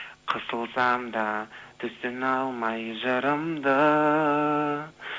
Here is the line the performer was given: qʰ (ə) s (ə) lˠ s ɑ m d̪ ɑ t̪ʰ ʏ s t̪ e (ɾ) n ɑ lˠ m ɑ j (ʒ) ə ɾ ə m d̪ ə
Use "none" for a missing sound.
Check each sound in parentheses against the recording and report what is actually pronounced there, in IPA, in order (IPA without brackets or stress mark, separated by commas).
ə, ə, none, ʒ